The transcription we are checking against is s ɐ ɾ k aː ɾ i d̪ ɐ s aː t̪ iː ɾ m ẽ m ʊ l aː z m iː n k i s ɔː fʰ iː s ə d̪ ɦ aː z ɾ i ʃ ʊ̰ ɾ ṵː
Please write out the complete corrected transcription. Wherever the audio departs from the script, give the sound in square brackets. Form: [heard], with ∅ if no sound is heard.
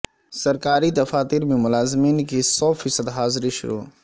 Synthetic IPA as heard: s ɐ ɾ k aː ɾ i d̪ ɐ [f] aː t̪ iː ɾ m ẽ m ʊ l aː z m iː n k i s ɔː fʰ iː s ə d̪ ɦ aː z ɾ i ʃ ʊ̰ ɾ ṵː